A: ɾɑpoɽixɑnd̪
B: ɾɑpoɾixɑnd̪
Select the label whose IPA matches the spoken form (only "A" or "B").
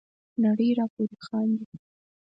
B